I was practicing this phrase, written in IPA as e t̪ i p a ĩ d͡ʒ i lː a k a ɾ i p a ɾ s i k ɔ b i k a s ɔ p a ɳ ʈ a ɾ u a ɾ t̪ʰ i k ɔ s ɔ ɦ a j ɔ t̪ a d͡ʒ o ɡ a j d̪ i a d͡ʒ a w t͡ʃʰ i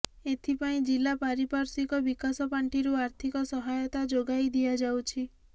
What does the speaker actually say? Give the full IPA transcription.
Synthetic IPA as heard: e t̪ʰ i p a ĩ d͡ʒ i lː a p a ɾ i p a ɾ s i k ɔ b i k a s ɔ p a ɳ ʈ i ɾ u a ɾ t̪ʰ i k ɔ s ɔ ɦ a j ɔ t̪ a d͡ʒ o ɡ a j d̪ i a d͡ʒ a w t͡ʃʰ i